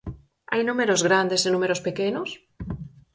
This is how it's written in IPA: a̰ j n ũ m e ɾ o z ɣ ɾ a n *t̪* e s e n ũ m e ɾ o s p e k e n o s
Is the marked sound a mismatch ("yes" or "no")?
yes